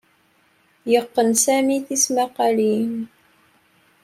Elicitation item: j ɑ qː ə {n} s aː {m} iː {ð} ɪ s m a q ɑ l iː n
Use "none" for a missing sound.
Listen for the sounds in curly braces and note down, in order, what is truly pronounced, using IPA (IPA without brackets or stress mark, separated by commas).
n, m, θ